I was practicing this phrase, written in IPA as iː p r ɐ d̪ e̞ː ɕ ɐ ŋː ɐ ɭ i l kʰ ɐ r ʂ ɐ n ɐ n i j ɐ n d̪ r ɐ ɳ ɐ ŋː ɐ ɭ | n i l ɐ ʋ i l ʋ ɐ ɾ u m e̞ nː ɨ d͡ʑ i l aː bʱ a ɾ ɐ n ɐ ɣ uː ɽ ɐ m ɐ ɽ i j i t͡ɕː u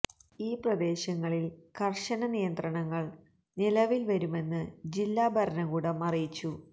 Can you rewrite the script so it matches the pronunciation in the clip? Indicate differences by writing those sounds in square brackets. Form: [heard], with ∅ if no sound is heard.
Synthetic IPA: iː p r ɐ d̪ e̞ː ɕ ɐ ŋː ɐ ɭ i l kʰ ɐ r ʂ ɐ n ɐ n i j ɐ n d̪ r ɐ ɳ ɐ ŋː ɐ ɭ | n i l ɐ ʋ i l ʋ ɐ ɾ u m e̞ nː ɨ d͡ʑ i [lː] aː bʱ [ɐ] ɾ ɐ n ɐ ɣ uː ɽ ɐ m ɐ [r] i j i t͡ɕː u